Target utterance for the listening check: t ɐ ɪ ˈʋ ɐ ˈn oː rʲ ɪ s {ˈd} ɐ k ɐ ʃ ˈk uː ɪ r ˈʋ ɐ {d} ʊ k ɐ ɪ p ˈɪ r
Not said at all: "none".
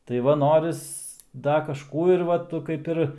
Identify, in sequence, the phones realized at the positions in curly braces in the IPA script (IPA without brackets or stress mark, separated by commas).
d, t